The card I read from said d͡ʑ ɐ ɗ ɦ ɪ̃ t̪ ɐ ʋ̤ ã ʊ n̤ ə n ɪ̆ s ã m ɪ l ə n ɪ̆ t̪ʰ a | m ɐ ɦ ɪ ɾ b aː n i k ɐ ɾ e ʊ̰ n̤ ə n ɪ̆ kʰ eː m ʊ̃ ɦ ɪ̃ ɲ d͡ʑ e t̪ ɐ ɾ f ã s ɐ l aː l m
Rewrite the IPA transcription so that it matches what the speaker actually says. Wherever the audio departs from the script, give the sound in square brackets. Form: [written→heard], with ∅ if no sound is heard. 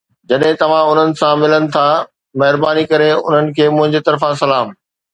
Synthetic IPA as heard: d͡ʑ ɐ ɗ ɦ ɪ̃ t̪ ɐ ʋ̤ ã ʊ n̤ ə n ɪ̆ s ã m ɪ l ə n ɪ̆ t̪ʰ a | m ɐ ɦ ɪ ɾ b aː n i k ɐ ɾ e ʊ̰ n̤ ə n ɪ̆ kʰ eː m ʊ̃ ɦ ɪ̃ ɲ d͡ʑ e t̪ ɐ ɾ f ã s ɐ l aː [l→∅] m

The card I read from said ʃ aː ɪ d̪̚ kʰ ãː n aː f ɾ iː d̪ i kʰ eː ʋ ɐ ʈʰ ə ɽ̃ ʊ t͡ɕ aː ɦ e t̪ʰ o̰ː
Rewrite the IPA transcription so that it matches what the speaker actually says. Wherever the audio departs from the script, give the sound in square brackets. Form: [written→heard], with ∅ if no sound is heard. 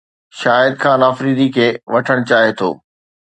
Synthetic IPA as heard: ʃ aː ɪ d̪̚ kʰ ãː n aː f ɾ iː d̪ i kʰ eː ʋ ɐ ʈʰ ə ɽ̃ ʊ t͡ɕ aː ɦ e t̪ʰ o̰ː

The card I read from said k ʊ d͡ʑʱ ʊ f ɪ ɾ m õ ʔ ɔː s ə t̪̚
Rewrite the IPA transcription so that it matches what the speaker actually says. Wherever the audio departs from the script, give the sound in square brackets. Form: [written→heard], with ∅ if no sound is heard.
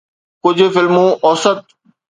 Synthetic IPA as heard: k ʊ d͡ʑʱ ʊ f ɪ [ɾ→l] m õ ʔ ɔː s ə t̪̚

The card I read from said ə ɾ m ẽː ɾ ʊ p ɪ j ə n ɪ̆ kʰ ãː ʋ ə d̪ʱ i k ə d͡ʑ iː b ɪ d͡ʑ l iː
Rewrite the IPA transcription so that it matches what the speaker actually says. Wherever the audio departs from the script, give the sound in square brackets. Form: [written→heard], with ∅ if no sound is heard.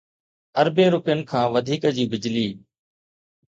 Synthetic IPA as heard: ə ɾ [m→b] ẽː ɾ ʊ p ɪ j ə n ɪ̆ kʰ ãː ʋ ə d̪ʱ [i→iː] k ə d͡ʑ iː b ɪ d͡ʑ l iː

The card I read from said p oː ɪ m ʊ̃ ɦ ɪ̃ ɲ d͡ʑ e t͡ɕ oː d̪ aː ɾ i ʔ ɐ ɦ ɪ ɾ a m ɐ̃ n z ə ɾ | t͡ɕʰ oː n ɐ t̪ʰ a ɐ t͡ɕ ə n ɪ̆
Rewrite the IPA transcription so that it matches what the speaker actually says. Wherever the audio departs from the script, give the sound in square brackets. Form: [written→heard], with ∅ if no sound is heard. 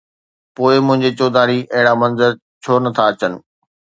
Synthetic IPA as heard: p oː ɪ m ʊ̃ ɦ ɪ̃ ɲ d͡ʑ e t͡ɕ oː d̪ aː ɾ i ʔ ɐ ɦ ɪ [ɾ→ɽ] a m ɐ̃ n z ə ɾ | t͡ɕʰ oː n ɐ t̪ʰ a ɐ t͡ɕ ə n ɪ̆

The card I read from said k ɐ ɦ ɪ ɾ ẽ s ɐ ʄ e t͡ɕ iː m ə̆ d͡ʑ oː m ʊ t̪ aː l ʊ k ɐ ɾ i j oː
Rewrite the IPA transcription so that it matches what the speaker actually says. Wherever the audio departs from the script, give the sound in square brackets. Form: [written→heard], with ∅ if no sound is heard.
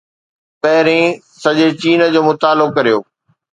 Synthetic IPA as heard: [k→p] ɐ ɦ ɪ ɾ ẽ s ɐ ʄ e t͡ɕ iː [m→n] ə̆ d͡ʑ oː m ʊ t̪ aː l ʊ k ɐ ɾ i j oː

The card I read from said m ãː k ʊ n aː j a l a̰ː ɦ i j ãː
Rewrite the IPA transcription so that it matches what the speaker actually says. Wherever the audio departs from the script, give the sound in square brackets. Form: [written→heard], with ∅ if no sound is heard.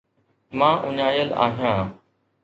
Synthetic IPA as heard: m ãː [k→ʔ] ʊ [n→ɲ] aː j [a→ə] l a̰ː ɦ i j ãː

